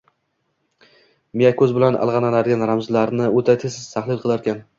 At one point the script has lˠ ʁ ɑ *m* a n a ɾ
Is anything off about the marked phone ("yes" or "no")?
yes